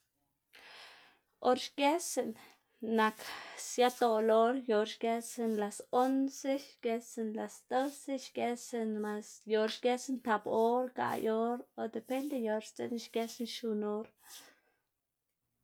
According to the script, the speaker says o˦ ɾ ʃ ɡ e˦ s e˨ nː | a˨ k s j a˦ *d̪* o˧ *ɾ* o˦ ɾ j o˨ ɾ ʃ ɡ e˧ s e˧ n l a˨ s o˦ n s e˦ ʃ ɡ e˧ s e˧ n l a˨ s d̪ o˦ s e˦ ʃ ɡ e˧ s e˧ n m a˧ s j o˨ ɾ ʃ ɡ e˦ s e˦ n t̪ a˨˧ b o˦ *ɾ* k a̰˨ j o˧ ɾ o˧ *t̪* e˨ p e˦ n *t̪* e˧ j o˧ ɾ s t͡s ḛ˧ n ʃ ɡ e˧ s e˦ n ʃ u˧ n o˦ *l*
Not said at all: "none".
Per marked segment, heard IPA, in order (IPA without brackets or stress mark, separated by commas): t̪, l, ɾ, d̪, d̪, ɾ